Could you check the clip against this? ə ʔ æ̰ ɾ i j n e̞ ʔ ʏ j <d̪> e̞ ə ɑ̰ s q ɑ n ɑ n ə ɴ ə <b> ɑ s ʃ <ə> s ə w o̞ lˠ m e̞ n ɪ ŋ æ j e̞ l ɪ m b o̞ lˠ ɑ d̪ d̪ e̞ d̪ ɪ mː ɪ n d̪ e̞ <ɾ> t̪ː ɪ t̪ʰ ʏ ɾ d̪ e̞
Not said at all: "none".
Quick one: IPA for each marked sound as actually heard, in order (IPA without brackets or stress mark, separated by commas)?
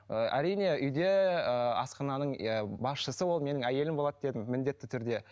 d̪, b, ə, none